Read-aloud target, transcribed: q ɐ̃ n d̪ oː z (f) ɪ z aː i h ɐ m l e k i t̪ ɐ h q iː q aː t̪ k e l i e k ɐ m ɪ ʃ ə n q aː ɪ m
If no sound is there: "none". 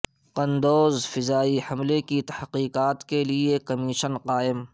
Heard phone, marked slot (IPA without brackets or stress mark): f